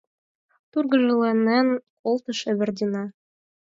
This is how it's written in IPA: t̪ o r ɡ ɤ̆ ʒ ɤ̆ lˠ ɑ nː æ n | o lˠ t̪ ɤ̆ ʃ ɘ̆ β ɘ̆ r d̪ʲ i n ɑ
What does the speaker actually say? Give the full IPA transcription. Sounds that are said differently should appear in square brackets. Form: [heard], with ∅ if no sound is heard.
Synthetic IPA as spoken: t̪ [u] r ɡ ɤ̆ ʒ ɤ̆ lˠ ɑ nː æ n | o lˠ t̪ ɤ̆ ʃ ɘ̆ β ɘ̆ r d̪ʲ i n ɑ

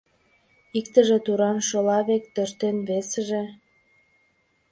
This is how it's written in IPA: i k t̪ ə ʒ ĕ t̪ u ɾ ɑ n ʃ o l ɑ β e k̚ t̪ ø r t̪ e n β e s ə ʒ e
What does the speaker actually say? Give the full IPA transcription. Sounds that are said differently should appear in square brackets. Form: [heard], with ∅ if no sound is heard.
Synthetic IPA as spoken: i k t̪ ə ʒ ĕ t̪ u ɾ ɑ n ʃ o l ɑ β e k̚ t̪ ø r t̪ e n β e s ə ʒ e

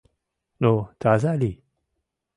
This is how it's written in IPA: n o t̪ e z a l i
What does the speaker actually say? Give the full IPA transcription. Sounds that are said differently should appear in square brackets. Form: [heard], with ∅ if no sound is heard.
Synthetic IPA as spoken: n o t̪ [a] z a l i

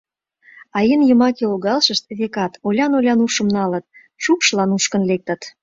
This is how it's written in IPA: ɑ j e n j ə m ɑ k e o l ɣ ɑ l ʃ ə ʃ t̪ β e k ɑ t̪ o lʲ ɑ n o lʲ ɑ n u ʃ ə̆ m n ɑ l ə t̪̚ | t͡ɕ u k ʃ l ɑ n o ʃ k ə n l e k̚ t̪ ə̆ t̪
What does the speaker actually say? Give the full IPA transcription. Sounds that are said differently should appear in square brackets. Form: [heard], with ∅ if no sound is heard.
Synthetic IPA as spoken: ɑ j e n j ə m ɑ k e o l ɣ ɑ l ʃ ə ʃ t̪ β e k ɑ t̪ o lʲ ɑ n o lʲ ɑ n u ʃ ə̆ m n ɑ l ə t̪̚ | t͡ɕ u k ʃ l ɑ n [u] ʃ k ə n l e k̚ t̪ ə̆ t̪

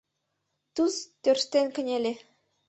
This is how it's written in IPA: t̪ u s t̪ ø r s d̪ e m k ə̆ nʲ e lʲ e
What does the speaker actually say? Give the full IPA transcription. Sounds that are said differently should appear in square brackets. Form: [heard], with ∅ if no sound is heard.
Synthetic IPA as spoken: t̪ u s t̪ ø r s [t̪] e [n] k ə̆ nʲ e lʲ e

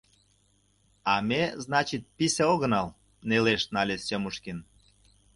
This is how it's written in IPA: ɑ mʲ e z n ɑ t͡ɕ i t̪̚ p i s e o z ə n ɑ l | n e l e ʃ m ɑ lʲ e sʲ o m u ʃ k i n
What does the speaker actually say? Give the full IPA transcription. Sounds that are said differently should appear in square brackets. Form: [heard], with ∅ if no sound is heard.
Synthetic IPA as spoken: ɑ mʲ e z n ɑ t͡ɕ i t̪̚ p i s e o [ɣ] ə n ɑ l | n e l e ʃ [n] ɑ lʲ e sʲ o m u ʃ k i n

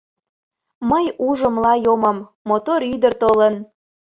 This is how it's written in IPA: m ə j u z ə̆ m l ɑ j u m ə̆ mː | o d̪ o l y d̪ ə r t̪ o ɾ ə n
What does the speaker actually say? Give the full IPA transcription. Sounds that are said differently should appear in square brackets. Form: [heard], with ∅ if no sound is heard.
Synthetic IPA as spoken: m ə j u [ʒ] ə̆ m l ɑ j [o] m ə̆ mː | o [t̪] o [ɾ] y d̪ ə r t̪ o [l] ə n

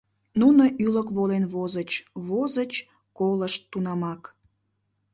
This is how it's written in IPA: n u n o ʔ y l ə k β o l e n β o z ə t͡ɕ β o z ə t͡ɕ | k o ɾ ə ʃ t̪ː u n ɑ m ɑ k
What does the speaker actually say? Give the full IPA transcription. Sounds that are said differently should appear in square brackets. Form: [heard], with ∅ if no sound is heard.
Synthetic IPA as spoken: n u n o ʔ y l ə k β o l e n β o z ə t͡ɕ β o z ə t͡ɕ | k o [l] ə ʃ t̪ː u n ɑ m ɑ k

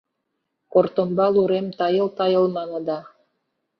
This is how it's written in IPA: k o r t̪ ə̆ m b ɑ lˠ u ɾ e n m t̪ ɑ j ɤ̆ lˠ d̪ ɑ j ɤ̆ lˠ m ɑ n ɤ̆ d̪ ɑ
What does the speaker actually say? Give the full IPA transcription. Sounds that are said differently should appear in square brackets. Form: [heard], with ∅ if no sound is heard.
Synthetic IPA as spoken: k o r t̪ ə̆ m b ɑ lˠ u ɾ e [∅] m t̪ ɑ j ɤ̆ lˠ [t̪] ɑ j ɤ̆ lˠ m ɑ n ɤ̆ d̪ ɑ

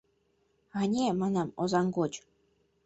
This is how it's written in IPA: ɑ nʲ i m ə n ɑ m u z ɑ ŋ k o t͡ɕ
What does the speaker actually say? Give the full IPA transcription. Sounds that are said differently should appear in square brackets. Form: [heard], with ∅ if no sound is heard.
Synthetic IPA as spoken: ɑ nʲ [e] m [ɑ] n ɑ m [o] z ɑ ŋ [ɡ] o t͡ɕ

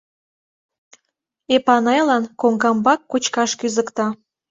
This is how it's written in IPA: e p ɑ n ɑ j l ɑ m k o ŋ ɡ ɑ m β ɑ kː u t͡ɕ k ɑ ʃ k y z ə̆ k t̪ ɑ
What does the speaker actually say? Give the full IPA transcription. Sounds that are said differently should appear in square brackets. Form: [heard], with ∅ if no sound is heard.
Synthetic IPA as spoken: e p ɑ n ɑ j l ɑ [n] k o ŋ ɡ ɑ m [b] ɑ kː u t͡ɕ k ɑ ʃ k y z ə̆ k t̪ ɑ

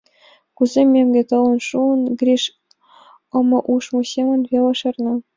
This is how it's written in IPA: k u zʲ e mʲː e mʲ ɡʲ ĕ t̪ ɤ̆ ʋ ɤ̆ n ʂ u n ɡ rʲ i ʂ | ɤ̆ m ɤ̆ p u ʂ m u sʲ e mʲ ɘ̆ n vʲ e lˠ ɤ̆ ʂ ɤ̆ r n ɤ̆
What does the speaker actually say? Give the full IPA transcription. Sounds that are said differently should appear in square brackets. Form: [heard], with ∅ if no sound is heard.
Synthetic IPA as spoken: k u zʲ e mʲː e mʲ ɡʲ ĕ t̪ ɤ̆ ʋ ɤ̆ n ʂ u n ɡ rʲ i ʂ | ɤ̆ m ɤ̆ [ʔ] u ʂ m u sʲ e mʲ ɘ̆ n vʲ e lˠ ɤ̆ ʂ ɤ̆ r n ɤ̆

